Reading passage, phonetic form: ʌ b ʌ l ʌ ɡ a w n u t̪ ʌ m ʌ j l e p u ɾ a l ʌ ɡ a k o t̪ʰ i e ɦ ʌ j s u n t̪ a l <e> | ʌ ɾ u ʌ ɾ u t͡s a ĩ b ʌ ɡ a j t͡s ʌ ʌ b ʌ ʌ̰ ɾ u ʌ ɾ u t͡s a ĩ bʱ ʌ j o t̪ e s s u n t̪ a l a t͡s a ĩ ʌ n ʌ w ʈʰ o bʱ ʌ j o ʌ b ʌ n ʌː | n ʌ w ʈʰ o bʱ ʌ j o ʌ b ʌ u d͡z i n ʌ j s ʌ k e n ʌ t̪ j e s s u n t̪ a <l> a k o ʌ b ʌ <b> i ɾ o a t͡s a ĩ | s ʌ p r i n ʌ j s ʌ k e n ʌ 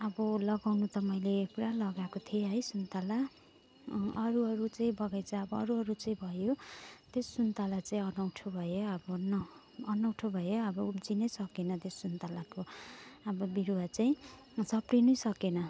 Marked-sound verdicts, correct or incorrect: incorrect: a, correct, correct

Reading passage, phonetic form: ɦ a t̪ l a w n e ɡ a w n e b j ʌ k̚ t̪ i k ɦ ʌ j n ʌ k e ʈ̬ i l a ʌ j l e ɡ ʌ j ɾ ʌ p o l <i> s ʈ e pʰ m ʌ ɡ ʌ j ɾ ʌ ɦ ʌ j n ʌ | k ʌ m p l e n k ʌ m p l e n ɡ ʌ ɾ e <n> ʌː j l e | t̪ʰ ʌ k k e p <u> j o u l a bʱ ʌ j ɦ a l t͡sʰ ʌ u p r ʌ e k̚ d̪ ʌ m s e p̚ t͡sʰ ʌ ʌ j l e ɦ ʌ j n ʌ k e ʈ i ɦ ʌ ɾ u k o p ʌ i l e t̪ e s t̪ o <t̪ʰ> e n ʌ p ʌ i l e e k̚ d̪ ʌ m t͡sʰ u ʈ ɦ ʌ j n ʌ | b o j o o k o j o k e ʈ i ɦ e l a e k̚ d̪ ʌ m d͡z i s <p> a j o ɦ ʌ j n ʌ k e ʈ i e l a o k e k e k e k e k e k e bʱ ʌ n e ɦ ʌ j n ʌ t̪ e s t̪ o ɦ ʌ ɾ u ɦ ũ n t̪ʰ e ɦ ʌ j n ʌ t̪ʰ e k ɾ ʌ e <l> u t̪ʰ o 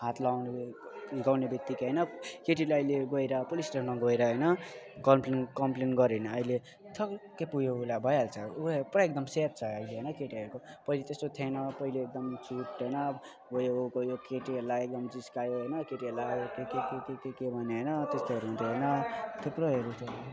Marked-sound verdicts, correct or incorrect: correct, correct, correct, correct, incorrect: k, incorrect: ɾ

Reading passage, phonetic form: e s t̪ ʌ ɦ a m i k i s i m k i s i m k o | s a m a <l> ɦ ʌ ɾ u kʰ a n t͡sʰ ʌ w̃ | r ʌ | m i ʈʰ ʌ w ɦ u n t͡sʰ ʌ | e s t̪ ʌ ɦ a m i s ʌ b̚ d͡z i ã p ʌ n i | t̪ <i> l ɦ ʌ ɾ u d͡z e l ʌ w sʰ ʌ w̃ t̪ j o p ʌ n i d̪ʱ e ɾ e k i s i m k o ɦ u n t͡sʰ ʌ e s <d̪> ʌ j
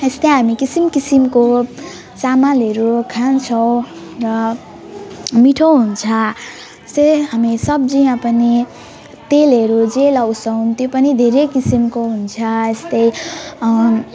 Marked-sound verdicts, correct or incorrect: correct, incorrect: e, incorrect: t̪

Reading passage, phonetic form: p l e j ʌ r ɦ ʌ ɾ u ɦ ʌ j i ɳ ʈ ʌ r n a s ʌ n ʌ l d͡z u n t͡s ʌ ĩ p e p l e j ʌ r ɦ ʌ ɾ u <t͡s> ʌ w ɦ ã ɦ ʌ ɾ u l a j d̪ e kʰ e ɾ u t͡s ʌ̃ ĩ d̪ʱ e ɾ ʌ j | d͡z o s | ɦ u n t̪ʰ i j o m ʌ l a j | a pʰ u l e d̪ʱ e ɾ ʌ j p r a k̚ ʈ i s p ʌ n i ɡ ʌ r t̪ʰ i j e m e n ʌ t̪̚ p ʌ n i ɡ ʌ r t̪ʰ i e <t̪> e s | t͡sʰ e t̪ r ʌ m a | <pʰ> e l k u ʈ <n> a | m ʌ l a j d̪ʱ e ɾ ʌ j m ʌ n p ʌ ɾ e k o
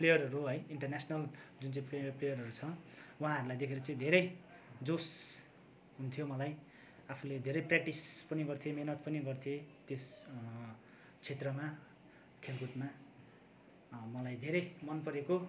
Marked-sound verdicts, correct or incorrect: incorrect: t͡sʰ, correct, incorrect: kʰ, incorrect: m

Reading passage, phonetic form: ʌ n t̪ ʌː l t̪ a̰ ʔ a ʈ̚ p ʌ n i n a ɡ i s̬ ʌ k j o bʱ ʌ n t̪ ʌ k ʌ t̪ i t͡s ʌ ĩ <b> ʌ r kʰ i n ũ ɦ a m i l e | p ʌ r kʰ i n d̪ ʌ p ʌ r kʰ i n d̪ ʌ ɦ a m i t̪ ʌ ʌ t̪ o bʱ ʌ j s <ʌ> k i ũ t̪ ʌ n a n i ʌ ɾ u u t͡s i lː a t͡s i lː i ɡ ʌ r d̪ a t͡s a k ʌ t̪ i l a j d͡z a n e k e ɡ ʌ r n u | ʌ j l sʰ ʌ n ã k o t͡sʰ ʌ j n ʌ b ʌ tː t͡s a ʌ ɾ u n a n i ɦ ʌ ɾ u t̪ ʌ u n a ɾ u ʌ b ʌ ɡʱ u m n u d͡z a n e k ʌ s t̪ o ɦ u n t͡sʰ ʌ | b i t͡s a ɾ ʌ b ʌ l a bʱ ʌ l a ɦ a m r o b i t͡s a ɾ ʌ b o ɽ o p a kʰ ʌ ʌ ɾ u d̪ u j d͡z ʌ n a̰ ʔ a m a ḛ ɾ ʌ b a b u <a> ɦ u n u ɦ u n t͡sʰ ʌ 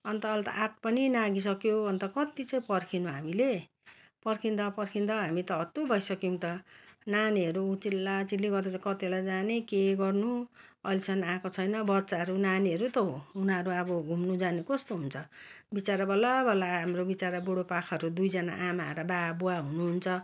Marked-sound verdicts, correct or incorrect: incorrect: p, correct, correct

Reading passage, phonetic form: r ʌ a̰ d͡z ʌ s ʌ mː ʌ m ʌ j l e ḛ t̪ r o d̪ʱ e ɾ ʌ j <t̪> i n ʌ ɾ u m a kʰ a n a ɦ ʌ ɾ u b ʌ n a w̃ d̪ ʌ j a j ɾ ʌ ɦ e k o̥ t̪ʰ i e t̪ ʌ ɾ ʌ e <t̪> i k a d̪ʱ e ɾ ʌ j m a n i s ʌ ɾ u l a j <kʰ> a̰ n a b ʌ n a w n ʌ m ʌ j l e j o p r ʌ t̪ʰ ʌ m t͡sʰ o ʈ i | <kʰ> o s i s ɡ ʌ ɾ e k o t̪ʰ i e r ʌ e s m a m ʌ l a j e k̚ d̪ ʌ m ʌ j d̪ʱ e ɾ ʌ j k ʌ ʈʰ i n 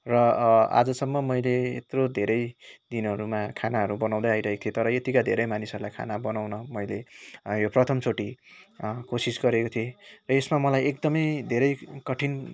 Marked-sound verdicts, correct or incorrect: incorrect: d̪, correct, correct, incorrect: k

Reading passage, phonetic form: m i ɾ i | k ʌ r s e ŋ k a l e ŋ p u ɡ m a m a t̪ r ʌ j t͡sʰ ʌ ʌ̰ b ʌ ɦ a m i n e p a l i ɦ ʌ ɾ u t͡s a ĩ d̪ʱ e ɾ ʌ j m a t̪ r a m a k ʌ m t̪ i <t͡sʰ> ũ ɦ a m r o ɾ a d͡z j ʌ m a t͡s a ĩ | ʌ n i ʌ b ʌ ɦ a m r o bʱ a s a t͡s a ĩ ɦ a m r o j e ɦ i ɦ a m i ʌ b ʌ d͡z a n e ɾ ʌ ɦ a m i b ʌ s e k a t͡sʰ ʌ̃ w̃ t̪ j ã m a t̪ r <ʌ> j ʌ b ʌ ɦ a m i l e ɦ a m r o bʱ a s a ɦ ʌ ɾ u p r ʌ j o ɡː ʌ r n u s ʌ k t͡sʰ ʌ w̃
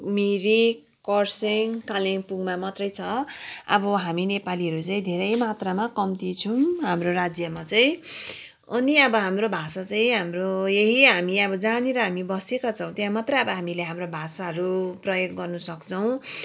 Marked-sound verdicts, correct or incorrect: correct, correct

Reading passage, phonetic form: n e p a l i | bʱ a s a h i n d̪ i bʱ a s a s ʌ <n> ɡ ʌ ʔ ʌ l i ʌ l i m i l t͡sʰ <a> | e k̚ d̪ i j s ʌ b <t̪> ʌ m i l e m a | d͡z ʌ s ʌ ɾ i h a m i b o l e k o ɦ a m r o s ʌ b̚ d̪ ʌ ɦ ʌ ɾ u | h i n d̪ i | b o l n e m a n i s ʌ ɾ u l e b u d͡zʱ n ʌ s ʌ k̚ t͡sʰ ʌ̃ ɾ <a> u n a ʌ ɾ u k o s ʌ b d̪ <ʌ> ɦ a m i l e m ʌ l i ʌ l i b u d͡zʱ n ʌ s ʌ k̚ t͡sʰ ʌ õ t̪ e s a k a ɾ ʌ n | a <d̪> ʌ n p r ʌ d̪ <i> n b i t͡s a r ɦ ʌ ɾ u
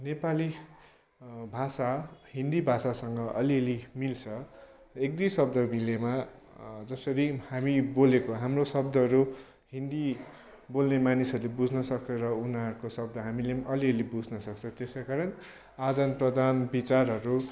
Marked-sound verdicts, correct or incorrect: incorrect: ŋ, incorrect: ʌ, incorrect: d̪, incorrect: ʌ, correct, correct, incorrect: a

